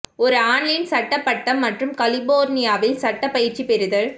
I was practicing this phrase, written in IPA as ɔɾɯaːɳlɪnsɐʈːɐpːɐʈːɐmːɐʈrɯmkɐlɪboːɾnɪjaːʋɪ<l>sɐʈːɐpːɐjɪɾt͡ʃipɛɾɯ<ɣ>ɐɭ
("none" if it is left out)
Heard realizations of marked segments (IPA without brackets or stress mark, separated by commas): l, ð